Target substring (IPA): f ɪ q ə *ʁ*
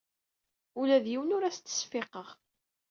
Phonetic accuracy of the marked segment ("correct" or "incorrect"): correct